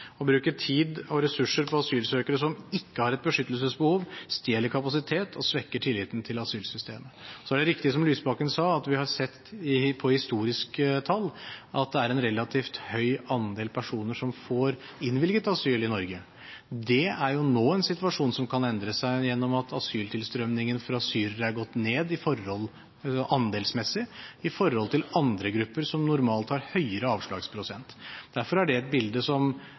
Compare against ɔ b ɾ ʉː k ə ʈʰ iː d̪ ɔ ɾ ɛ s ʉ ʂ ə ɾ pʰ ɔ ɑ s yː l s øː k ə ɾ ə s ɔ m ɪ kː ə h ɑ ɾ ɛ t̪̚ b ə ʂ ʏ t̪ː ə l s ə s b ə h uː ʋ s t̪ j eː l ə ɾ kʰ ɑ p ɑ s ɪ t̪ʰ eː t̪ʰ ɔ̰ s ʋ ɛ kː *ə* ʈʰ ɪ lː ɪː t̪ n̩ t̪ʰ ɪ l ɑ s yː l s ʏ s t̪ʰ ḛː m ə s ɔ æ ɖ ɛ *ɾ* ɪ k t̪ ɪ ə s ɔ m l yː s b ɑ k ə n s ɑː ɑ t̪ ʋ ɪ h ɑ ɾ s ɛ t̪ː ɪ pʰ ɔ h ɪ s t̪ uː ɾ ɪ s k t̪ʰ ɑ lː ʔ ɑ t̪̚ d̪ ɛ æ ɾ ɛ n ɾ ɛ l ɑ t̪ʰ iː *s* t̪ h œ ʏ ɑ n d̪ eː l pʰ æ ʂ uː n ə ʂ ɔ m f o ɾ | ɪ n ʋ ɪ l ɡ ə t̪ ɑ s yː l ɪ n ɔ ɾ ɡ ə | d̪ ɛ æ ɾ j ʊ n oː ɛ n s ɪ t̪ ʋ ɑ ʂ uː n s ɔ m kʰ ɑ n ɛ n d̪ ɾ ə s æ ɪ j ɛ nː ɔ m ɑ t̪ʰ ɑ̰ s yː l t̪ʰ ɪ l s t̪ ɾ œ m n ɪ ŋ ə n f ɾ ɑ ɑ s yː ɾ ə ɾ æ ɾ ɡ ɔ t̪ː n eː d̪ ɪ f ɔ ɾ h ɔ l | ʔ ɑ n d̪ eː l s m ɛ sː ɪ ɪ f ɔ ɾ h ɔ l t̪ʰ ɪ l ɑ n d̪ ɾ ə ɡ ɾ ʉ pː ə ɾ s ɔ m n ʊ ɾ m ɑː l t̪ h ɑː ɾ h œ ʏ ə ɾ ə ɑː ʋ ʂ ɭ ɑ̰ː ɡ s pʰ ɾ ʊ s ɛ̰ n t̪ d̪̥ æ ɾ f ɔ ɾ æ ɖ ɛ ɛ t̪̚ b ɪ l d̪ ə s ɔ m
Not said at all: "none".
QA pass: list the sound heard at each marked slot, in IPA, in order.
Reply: ə, ɾ, f

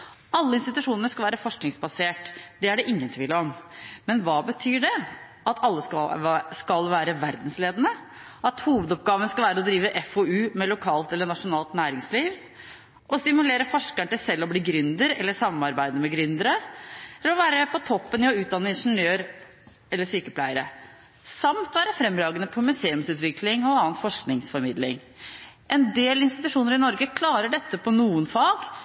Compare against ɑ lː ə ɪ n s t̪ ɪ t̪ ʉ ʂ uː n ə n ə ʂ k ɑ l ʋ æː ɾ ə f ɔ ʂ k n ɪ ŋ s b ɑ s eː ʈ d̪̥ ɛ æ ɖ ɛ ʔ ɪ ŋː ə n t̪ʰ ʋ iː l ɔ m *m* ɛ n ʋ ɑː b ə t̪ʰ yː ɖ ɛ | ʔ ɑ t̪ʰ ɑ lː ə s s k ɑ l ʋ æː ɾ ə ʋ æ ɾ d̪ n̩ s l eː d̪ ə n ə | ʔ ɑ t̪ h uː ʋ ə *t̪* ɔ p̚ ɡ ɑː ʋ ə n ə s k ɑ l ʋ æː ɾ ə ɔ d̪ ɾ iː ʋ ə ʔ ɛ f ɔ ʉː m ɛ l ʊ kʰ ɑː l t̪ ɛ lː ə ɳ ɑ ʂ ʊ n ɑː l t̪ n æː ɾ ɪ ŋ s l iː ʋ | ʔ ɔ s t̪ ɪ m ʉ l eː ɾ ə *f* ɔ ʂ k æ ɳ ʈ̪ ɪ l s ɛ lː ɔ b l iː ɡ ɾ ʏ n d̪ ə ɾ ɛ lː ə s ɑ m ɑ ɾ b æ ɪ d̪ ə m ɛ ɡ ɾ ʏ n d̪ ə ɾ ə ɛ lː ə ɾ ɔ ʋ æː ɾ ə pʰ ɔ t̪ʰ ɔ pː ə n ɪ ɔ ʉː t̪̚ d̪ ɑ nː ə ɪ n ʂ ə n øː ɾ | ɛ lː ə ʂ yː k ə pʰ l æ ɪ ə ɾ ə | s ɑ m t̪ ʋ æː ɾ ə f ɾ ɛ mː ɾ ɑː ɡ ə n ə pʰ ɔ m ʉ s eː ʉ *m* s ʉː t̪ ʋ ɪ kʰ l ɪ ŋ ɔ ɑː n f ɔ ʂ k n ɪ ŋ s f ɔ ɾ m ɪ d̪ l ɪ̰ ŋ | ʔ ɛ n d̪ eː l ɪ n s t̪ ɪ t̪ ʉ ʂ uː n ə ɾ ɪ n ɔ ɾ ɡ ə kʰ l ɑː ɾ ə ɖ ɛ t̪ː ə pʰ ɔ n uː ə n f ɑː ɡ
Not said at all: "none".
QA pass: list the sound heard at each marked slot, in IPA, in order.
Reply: m, d̪, f, m

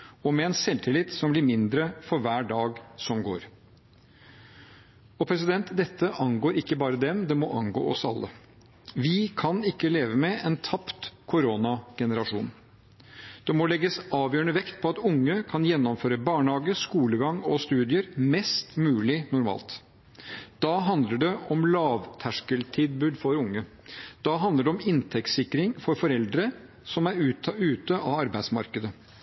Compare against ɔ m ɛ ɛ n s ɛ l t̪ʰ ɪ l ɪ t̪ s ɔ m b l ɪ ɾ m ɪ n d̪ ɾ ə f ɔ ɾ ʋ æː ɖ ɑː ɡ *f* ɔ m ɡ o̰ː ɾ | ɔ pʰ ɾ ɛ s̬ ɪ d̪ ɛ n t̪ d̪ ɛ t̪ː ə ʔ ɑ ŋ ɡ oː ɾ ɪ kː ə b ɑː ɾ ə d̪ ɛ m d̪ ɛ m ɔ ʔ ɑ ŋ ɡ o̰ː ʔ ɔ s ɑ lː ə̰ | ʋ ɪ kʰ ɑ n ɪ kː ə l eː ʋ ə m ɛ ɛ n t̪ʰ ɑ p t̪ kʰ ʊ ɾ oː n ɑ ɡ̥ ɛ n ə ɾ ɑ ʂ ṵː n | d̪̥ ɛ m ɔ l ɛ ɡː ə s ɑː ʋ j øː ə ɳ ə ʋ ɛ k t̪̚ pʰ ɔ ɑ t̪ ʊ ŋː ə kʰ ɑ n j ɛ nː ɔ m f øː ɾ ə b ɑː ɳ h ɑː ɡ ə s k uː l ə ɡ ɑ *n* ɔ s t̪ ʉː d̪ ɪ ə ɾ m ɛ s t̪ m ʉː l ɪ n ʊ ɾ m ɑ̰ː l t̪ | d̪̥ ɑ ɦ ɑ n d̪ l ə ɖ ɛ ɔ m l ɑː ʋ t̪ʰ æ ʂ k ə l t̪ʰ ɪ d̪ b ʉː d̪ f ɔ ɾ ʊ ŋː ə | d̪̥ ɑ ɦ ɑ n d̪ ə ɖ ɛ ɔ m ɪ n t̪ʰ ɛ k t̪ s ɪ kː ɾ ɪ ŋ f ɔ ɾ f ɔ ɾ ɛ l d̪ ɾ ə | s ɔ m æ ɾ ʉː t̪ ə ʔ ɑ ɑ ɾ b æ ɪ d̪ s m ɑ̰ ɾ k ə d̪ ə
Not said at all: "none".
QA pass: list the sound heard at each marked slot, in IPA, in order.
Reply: s, ŋ

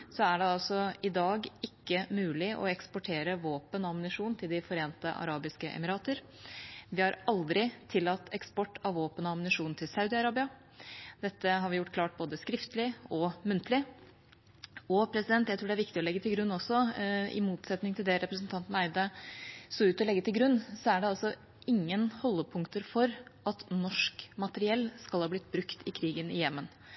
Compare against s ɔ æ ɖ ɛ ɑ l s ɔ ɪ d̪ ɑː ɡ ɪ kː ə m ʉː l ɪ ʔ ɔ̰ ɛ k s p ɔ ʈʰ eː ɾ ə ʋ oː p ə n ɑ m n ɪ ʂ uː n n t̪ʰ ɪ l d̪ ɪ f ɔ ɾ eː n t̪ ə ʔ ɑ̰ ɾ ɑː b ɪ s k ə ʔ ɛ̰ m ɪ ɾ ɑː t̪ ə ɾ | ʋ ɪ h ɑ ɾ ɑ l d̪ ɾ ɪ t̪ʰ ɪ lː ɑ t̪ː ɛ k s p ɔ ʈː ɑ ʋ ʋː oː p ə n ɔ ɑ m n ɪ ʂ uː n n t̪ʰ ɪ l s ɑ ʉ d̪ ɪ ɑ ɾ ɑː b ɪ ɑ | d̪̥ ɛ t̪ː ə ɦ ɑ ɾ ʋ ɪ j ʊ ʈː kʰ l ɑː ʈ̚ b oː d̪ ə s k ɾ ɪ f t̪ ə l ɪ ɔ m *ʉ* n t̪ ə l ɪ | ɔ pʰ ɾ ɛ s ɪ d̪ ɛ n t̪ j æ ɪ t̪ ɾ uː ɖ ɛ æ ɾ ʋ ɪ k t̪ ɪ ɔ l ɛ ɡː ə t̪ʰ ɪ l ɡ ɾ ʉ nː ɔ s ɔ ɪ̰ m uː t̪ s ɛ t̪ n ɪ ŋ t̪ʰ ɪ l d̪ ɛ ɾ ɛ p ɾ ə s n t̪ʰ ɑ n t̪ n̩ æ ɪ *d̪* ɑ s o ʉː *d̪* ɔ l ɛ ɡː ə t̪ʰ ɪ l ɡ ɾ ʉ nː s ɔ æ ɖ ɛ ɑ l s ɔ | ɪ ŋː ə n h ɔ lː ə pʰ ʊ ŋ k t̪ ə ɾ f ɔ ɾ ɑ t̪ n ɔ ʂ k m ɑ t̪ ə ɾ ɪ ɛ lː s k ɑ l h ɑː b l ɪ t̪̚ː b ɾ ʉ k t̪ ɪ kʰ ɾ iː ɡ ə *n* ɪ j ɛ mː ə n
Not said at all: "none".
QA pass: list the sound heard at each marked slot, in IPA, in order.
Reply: ʉ, d̪, t̪, n

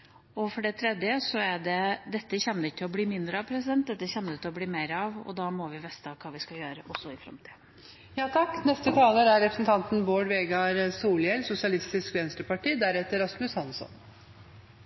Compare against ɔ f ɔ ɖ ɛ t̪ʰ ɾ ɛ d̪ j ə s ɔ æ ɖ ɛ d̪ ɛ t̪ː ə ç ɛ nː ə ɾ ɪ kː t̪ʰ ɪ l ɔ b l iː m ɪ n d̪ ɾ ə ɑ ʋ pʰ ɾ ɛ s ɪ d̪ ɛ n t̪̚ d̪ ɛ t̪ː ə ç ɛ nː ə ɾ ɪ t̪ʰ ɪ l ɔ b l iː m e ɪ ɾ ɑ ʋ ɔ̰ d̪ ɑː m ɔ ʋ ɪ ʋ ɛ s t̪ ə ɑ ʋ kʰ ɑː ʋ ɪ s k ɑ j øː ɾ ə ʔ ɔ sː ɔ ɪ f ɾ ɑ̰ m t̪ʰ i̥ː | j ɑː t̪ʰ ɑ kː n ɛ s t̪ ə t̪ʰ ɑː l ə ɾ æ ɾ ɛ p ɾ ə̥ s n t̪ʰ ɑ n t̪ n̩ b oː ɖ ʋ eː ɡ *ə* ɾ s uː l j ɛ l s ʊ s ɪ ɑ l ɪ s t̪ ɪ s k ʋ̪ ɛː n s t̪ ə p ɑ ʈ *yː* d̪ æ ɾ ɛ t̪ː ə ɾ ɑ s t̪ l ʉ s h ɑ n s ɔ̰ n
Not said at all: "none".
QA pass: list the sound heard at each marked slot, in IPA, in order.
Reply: ɑ, iː

